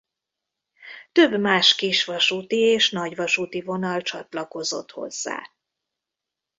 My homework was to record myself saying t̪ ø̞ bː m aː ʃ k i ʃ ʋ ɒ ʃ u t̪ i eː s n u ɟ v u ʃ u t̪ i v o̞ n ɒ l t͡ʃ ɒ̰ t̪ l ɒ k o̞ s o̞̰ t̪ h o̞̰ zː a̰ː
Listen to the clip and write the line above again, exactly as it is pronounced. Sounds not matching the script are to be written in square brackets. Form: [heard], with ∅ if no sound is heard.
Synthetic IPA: t̪ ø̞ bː m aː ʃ k i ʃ ʋ ɒ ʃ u t̪ i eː [ʃ] n [ɒ] ɟ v [ɒ] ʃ u t̪ i v o̞ n ɒ l t͡ʃ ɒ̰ t̪ l ɒ k o̞ [z] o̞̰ t̪ h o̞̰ zː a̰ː